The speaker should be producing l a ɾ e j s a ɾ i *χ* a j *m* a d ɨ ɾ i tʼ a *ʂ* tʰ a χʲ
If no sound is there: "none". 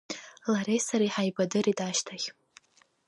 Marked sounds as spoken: ħ, b, ʃ

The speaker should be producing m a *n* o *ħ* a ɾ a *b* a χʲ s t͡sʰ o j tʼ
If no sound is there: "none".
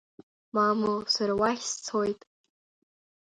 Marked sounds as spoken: m, s, w

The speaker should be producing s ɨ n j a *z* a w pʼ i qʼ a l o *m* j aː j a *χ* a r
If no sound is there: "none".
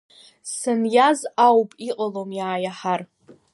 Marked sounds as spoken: z, m, ħ

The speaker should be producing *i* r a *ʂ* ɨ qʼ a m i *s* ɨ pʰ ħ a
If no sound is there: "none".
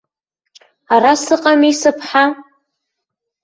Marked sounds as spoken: a, s, s

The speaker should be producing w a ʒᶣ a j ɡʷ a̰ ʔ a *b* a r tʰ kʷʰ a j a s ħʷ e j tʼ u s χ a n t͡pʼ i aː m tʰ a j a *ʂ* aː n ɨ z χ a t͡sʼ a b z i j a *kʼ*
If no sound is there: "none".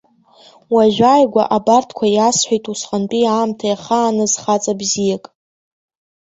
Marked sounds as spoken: b, χ, kʼ

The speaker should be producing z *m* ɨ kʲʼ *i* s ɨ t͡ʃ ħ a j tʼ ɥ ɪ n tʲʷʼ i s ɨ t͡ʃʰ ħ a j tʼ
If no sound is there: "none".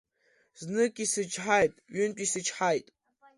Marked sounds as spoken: n, i

